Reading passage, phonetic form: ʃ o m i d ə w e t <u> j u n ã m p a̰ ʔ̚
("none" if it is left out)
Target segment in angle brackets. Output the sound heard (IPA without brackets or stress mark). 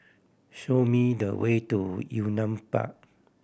u